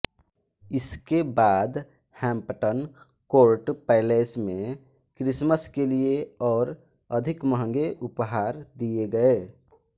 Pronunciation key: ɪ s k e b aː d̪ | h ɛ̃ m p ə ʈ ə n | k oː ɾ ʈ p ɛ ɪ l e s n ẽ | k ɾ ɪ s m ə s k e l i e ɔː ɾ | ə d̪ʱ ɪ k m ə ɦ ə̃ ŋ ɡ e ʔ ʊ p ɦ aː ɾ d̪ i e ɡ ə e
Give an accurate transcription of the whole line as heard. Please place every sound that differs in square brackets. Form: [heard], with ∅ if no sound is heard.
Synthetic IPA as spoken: ɪ s k e b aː d̪ | h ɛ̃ m p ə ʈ ə n | k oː ɾ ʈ p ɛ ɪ l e s [m] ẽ | k ɾ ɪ s m ə s k e l i e ɔː ɾ | ə d̪ʱ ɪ k m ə ɦ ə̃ ŋ ɡ e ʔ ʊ p ɦ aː ɾ d̪ i e ɡ ə e